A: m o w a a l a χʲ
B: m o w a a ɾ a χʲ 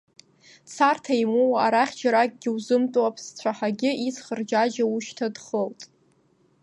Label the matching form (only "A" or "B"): B